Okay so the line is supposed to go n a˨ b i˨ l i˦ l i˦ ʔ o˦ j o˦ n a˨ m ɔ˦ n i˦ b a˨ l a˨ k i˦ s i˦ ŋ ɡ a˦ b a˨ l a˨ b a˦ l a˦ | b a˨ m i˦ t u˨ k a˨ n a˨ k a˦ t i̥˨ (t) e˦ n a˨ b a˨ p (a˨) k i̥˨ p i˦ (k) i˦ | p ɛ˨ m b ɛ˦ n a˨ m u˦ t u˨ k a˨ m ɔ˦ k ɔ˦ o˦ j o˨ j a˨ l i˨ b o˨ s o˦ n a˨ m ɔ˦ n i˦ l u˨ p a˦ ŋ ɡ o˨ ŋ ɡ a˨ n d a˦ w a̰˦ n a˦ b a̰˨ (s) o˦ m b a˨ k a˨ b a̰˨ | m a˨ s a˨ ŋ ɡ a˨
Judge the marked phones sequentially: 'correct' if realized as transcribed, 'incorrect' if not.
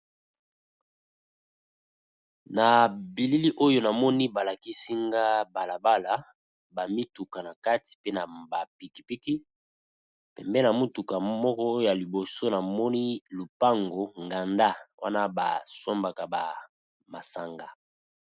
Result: incorrect: p, incorrect: i˨, correct, correct

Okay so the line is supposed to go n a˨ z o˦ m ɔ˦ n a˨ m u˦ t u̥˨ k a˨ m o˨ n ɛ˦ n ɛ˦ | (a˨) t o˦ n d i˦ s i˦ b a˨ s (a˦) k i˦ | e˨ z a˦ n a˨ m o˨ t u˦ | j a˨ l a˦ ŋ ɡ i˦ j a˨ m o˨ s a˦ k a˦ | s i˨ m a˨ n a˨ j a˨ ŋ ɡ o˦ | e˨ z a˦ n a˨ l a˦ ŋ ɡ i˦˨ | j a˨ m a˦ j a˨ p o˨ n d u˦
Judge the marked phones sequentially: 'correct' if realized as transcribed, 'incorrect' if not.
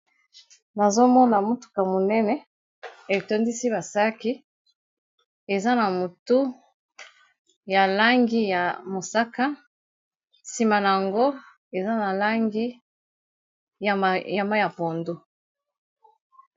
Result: incorrect: e˨, correct

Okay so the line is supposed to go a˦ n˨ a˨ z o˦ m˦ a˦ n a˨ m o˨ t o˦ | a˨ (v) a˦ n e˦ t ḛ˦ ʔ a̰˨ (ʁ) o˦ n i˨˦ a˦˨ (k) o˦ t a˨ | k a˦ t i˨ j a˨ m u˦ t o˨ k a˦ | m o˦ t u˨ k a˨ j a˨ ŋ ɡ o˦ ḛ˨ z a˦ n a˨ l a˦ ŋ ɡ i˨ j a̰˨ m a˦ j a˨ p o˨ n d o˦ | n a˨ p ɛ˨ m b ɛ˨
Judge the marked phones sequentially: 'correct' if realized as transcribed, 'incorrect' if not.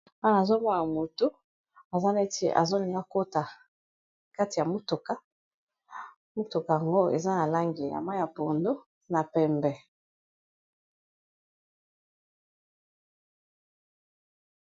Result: incorrect: z, incorrect: z, correct

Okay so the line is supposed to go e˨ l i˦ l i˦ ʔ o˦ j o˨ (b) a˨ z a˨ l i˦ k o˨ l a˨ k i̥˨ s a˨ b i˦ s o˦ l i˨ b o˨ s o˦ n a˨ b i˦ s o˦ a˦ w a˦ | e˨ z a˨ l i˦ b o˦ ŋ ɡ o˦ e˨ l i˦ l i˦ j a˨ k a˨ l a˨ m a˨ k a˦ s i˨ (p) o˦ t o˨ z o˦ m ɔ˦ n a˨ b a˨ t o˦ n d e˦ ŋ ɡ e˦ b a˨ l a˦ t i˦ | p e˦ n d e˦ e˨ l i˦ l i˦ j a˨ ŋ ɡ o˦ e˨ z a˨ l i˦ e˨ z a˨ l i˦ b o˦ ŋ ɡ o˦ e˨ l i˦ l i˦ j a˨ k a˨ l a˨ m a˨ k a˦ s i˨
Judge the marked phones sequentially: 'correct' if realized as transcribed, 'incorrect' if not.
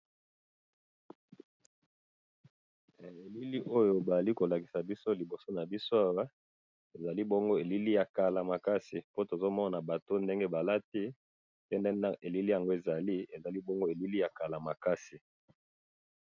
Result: correct, correct

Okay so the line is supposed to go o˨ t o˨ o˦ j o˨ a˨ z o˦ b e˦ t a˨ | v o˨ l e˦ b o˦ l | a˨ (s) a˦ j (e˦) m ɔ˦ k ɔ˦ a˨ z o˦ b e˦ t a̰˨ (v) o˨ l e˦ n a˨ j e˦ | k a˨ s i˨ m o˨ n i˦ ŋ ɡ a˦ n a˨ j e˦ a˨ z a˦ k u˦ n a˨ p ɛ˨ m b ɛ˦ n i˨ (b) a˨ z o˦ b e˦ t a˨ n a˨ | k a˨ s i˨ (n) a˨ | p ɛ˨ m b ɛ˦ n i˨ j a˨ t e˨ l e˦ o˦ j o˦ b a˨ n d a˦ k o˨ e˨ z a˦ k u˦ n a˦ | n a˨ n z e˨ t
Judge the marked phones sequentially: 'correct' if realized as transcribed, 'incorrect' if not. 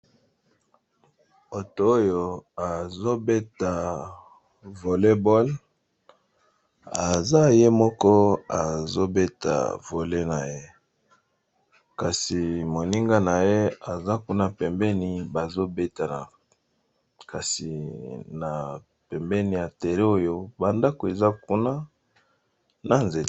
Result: incorrect: z, correct, correct, correct, correct

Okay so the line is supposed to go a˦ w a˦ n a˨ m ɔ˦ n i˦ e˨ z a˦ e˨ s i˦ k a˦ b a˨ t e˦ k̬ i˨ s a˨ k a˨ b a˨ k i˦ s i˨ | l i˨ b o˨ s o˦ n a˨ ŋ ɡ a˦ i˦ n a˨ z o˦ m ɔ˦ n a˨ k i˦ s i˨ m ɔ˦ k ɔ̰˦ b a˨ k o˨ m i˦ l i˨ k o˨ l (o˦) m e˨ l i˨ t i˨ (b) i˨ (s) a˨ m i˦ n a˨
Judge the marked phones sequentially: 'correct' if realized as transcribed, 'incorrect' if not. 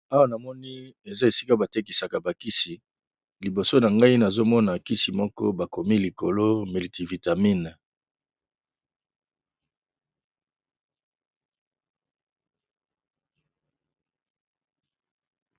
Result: correct, incorrect: v, incorrect: t

